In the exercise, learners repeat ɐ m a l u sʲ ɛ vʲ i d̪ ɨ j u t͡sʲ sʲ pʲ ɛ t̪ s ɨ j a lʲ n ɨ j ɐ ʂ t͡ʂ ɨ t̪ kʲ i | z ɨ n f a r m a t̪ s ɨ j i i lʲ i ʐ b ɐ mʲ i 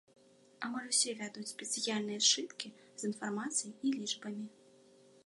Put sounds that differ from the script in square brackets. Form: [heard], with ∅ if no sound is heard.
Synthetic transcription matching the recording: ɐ m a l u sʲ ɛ vʲ [a] d̪ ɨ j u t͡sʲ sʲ pʲ ɛ t̪ s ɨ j a lʲ n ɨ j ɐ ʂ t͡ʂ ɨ t̪ kʲ i | z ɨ n f a r m a t̪ s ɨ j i i lʲ i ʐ b ɐ mʲ i